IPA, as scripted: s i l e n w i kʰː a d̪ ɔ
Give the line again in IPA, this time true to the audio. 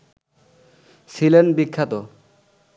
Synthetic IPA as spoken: s i l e n b i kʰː a t̪ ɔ

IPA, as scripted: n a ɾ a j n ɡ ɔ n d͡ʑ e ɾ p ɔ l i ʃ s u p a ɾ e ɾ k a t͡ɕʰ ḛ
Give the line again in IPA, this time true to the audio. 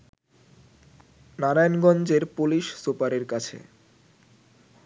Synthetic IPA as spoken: n a ɾ a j n ɡ ɔ n d͡ʑ e ɾ p u l i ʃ s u p a ɾ e ɾ k a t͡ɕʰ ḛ

